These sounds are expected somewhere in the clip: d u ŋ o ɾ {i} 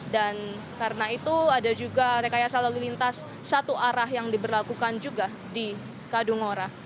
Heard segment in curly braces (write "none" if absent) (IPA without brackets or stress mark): a